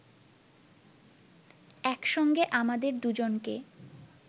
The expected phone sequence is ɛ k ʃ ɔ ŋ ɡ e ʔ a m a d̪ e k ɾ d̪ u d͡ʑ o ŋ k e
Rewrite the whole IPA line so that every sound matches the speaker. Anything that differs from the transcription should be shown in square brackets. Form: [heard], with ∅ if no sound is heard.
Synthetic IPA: ɛ k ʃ ɔ ŋ ɡ e ʔ a m a d̪ e [∅] ɾ d̪ u d͡ʑ o [n] k e